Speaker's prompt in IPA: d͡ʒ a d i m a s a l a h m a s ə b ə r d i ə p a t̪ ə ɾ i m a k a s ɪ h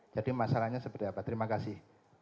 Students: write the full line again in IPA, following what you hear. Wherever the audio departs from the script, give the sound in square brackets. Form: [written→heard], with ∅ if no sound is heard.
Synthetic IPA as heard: d͡ʒ a d i m a s a l a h [m→ɲ] a s ə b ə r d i [ə→a] p a t̪ ə ɾ i m a k a s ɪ h